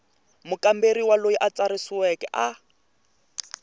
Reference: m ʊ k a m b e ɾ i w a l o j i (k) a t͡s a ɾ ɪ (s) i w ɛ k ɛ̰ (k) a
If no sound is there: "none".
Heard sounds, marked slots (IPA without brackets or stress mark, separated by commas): ʔ, s, ʔ